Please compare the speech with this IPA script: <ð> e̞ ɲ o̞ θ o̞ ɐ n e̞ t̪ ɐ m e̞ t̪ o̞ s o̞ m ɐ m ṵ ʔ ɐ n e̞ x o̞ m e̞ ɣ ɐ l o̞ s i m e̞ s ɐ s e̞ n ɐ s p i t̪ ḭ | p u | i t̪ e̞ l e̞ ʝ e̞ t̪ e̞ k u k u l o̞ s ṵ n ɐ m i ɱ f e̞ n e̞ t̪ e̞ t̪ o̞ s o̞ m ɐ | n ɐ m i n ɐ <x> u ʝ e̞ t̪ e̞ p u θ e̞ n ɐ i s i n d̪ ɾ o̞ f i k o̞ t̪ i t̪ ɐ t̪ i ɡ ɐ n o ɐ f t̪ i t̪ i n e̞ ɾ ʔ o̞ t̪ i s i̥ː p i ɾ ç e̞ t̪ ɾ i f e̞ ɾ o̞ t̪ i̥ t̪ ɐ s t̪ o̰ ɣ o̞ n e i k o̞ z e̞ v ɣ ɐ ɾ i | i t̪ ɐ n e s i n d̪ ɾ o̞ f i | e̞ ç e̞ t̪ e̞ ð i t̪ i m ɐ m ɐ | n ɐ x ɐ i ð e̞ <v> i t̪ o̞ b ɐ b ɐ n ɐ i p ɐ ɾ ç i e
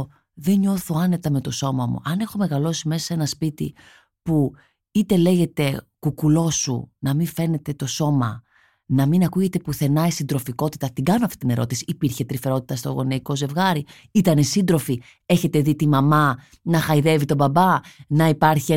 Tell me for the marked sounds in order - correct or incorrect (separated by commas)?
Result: correct, incorrect, correct